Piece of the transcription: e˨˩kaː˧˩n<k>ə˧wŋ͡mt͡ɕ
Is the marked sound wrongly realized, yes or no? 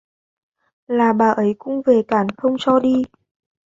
yes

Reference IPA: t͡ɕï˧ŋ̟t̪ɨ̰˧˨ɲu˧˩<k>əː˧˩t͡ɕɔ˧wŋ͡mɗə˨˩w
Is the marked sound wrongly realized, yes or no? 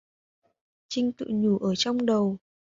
yes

